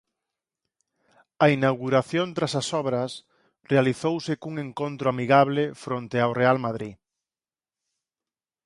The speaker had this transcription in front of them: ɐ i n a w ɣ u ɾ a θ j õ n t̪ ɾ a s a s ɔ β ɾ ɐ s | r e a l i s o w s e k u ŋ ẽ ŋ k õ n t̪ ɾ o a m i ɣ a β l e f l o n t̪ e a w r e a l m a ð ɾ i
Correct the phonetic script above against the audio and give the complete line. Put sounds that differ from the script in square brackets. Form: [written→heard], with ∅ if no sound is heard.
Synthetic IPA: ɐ i n a w ɣ u ɾ a θ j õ n t̪ ɾ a s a s ɔ β ɾ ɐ s | r e a l i [s→θ] o w s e k u ŋ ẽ ŋ k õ n t̪ ɾ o a m i ɣ a β l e f [l→ɾ] o n t̪ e a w r e a l m a ð ɾ i